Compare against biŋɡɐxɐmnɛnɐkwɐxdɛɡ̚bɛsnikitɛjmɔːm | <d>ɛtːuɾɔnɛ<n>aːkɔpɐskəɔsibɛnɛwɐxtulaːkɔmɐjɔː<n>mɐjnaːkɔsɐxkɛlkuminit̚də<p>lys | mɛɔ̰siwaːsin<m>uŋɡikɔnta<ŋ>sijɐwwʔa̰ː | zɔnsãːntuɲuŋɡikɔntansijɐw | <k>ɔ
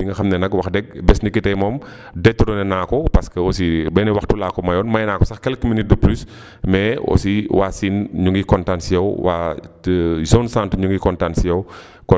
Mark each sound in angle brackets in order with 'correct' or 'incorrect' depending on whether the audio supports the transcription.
correct, correct, correct, correct, incorrect, incorrect, correct

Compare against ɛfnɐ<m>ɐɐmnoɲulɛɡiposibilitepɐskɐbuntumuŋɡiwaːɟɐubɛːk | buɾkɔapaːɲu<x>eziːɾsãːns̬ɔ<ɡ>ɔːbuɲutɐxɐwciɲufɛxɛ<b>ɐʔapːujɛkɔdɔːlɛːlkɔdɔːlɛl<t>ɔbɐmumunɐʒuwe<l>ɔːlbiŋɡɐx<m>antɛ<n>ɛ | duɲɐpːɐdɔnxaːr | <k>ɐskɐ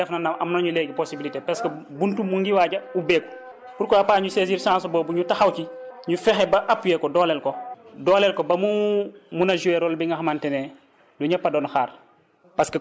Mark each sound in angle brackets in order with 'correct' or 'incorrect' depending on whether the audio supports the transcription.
incorrect, incorrect, incorrect, correct, incorrect, incorrect, correct, correct, incorrect

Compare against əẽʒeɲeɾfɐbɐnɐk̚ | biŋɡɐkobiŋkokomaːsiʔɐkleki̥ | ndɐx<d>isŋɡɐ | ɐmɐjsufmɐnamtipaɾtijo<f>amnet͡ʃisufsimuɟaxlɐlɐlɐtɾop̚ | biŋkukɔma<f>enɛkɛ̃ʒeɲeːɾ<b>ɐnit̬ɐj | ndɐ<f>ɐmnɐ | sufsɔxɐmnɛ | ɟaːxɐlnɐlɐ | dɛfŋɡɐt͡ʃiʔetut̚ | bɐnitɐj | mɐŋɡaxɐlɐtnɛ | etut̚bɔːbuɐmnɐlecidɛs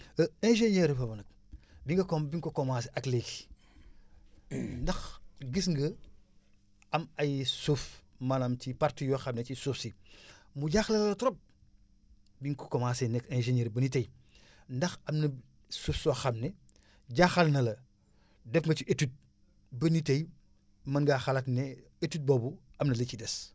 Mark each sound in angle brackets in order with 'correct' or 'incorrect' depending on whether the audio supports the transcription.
incorrect, incorrect, incorrect, correct, incorrect

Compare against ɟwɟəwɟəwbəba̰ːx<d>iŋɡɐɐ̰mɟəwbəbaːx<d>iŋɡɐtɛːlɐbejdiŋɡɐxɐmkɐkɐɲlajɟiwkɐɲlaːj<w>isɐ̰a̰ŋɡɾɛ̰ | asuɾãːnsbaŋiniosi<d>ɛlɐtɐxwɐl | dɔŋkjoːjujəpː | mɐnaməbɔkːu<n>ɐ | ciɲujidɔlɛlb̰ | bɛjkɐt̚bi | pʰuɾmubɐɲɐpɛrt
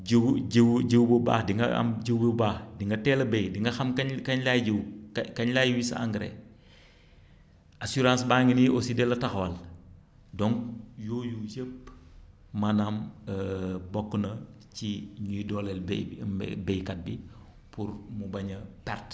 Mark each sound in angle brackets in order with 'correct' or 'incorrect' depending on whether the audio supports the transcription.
correct, correct, correct, correct, correct

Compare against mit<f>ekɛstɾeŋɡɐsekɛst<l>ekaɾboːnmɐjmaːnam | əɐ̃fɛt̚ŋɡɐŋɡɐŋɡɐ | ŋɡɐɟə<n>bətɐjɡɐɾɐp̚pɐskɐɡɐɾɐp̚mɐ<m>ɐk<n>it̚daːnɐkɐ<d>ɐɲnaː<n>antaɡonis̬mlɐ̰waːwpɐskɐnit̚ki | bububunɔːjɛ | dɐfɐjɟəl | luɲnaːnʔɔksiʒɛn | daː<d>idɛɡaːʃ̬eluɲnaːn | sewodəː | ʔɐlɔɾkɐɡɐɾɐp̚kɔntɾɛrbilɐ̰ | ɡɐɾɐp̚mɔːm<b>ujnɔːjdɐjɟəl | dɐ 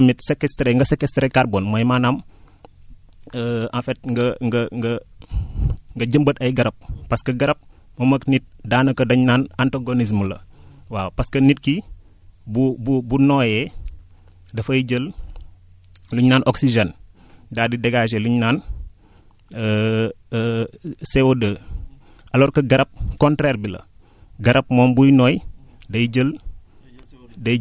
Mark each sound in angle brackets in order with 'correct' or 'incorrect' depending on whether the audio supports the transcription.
incorrect, incorrect, incorrect, correct, correct, correct, correct, correct, correct

